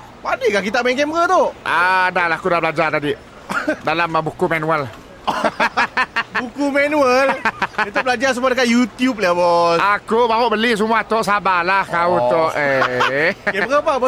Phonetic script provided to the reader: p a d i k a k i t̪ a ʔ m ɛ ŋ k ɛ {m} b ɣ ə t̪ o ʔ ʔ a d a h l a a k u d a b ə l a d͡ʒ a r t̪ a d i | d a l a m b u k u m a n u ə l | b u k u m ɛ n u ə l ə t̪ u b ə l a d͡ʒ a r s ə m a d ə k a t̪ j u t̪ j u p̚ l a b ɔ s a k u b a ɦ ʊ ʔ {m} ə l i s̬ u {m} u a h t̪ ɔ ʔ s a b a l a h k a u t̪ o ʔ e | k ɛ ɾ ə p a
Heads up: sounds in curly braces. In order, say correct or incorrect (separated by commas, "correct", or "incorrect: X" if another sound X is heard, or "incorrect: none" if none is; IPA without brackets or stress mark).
correct, incorrect: b, correct